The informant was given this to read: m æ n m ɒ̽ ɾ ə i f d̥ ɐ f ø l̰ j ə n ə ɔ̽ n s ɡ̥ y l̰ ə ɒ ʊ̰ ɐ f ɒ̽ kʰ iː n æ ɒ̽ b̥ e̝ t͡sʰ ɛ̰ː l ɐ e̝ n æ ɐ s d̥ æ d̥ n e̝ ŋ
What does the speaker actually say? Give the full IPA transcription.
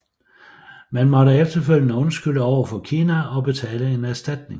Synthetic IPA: m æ n m ɒ̽ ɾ ə e f d̥ ɐ f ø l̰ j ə n ə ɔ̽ n s ɡ̥ y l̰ ə ɒ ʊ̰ ɐ f ɒ̽ kʰ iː n æ ɒ̽ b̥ e̝ t͡sʰ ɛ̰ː l ə e̝ n æ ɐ s d̥ æ d̥ n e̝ ŋ

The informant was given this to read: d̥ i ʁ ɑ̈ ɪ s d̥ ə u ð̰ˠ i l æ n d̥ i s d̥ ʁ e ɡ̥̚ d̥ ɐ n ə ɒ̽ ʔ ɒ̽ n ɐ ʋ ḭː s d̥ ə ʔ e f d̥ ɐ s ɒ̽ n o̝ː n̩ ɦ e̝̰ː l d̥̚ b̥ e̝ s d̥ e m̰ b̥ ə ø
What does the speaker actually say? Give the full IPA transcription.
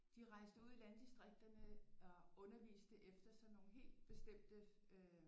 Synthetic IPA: d̥ i ʁ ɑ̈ ɪ s d̥ ə u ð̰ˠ i l æ n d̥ i s d̥ ʁ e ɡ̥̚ d̥ ɐ n ə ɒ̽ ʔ ɔ̽ n ɐ ʋ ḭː s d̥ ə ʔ e f d̥ ɐ s ɒ̽ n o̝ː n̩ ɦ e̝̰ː l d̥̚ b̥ e̝ s d̥ e m̰ d̥ ə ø

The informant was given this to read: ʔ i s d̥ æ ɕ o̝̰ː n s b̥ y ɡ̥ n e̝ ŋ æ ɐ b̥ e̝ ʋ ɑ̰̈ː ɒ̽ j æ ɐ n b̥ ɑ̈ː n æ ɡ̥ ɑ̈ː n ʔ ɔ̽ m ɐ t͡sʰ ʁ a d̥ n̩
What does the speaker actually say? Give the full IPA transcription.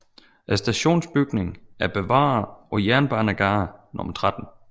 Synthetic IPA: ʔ æ s d̥ æ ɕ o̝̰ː n s b̥ y ɡ̥ n e̝ ŋ æ ɐ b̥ e̝ ʋ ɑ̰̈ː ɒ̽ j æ ɐ n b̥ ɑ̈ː n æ ɡ̥ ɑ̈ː n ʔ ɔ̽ m ɐ t͡sʰ ʁ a d̥ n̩

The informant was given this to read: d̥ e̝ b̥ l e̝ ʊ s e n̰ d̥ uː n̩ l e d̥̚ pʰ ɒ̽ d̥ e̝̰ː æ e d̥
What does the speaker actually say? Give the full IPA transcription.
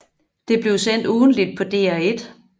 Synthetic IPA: d̥ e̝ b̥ l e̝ ʊ s e n̰ d̥ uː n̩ l i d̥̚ pʰ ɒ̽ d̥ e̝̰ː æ e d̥

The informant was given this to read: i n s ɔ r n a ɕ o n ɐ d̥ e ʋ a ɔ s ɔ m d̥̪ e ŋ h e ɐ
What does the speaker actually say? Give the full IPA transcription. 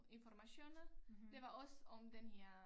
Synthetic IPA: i n f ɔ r m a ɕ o n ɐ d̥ e ʋ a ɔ s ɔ m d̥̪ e n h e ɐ

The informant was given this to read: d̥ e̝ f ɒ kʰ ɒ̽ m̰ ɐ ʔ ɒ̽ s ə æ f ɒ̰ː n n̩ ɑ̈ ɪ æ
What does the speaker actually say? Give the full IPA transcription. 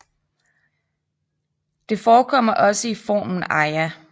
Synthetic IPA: d̥ e̝ f ɒː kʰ ɒ̽ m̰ ɐ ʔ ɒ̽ s ə i f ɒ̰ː m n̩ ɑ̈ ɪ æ

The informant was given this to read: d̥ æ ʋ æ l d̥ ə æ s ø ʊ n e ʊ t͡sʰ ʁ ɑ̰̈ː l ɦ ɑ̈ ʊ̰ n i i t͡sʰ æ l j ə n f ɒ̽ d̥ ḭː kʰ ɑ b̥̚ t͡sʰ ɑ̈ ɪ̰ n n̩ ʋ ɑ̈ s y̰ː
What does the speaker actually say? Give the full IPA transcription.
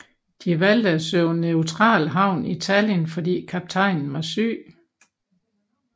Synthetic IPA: d̥ i ʋ æ l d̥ ə æ s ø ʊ n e ʊ t͡sʰ ʁ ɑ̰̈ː l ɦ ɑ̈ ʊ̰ n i i t͡sʰ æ l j ə n f ɒ̽ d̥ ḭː kʰ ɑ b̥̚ t͡sʰ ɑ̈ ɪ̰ n n̩ ʋ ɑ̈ s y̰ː

